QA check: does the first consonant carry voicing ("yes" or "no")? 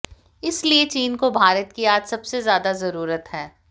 no